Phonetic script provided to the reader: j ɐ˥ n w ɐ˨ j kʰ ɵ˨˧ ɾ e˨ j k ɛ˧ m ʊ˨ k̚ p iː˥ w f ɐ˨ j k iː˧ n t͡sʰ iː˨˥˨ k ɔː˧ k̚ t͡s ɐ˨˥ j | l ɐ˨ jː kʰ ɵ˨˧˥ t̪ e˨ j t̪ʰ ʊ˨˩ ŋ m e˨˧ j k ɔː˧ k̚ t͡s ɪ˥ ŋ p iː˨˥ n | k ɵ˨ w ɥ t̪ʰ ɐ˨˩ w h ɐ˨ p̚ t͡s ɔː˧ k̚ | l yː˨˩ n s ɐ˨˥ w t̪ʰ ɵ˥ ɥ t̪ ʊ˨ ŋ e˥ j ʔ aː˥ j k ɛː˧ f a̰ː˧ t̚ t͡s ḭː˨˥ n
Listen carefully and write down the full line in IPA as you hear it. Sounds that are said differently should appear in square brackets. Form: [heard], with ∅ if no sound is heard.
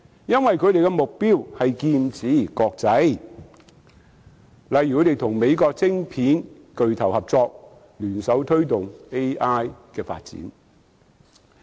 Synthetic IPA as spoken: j ɐ˥ n w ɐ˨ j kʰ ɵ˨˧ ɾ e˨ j k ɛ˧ m ʊ˨ k̚ p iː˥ w [h] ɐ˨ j k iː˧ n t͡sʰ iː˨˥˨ k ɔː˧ k̚ t͡s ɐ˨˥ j | l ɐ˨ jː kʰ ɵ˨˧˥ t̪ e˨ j t̪ʰ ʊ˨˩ ŋ m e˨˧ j k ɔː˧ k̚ t͡s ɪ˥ ŋ [pʰ] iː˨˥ n | k ɵ˨ [∅] ɥ t̪ʰ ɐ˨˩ w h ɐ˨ p̚ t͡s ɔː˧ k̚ | l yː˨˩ n s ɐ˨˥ w t̪ʰ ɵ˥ ɥ t̪ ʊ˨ ŋ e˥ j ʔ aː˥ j k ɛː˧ f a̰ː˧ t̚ t͡s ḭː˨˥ n